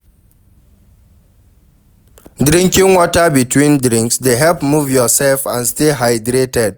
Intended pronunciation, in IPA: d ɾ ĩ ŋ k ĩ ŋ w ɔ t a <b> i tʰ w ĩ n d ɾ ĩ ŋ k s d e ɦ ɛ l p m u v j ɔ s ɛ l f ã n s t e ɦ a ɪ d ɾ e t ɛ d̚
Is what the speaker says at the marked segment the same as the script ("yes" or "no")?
yes